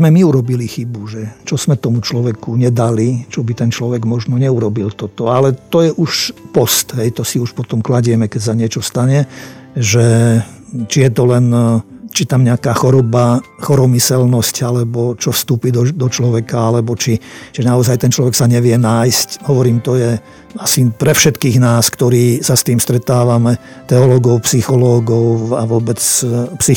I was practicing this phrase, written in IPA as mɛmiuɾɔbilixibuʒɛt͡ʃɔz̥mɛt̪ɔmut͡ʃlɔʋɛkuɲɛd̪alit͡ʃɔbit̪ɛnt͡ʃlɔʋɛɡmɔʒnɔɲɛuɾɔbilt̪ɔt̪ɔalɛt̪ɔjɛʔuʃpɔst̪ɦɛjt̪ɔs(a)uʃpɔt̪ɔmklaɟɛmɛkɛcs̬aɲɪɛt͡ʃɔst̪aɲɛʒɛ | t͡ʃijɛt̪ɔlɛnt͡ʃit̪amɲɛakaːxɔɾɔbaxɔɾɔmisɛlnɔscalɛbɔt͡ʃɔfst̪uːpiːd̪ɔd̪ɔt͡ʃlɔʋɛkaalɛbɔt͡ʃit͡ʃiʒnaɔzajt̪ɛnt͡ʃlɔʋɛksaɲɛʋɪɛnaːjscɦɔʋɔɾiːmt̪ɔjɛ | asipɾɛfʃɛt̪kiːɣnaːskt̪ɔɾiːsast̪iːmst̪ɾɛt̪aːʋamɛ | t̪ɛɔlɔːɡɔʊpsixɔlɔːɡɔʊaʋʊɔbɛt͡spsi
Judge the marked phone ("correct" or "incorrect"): incorrect